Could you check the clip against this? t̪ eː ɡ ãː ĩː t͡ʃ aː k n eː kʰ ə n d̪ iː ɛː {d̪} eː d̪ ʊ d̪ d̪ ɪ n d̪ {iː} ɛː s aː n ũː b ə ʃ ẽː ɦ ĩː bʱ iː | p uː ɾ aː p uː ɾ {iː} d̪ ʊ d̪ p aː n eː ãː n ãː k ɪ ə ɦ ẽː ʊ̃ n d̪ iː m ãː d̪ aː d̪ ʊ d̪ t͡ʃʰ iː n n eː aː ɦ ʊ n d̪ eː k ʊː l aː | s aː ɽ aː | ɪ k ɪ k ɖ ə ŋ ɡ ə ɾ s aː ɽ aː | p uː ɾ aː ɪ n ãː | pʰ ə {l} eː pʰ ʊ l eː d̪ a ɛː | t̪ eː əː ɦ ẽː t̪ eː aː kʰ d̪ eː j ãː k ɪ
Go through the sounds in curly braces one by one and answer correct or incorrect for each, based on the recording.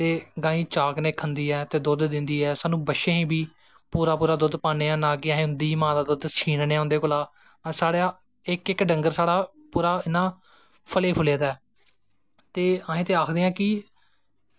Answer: incorrect, correct, incorrect, correct

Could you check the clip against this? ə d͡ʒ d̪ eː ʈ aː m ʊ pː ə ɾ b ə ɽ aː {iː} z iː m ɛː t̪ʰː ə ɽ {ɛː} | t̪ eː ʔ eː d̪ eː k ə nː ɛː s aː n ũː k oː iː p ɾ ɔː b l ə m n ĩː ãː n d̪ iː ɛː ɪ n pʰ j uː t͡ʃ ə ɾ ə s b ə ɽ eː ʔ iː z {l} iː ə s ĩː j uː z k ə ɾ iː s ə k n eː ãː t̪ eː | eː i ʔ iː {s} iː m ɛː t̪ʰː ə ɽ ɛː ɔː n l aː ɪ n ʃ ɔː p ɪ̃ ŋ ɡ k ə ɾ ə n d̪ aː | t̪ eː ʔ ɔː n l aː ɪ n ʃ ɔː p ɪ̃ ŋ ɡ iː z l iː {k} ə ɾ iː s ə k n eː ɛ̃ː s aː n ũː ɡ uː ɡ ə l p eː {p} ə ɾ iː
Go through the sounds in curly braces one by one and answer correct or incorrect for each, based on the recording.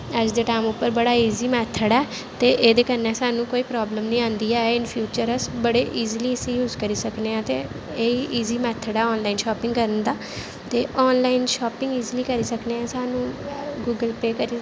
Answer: correct, correct, correct, incorrect, correct, incorrect

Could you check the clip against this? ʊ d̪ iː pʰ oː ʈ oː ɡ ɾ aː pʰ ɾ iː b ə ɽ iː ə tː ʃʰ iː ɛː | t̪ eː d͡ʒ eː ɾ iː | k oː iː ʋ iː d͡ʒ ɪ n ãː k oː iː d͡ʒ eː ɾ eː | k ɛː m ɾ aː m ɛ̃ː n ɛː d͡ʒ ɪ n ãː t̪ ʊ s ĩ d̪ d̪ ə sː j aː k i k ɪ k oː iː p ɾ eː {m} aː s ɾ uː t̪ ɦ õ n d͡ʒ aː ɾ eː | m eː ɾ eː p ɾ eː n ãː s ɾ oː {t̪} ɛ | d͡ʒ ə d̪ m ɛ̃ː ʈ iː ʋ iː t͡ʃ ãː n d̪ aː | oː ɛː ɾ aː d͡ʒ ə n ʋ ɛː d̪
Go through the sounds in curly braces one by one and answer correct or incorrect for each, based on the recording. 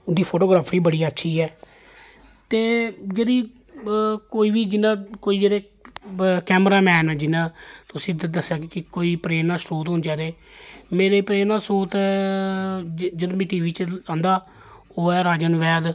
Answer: incorrect, correct

